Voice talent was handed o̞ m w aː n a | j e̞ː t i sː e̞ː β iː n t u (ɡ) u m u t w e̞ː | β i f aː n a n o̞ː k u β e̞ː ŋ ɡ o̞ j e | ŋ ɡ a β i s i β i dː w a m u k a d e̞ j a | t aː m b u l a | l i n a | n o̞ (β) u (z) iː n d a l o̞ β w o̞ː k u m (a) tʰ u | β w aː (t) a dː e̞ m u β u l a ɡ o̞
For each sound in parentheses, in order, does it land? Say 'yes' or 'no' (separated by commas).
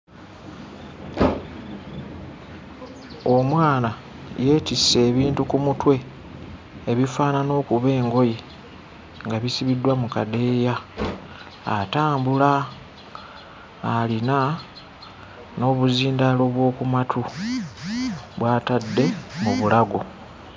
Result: no, yes, yes, yes, yes